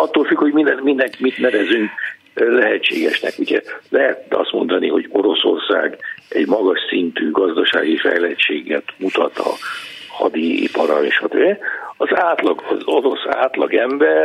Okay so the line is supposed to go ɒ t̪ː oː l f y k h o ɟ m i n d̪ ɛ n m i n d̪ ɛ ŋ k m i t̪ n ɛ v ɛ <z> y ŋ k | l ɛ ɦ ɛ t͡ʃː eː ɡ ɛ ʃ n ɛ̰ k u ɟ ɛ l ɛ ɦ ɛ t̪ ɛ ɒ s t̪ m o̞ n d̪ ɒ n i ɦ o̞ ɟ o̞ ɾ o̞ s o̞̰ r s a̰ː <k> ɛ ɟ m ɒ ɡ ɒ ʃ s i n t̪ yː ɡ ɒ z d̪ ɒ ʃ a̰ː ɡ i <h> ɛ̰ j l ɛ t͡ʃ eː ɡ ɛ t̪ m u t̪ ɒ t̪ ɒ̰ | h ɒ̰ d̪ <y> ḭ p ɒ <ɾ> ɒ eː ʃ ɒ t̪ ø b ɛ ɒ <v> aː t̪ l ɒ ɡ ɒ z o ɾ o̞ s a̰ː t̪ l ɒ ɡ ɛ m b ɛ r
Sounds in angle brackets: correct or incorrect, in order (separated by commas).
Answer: correct, incorrect, incorrect, incorrect, correct, incorrect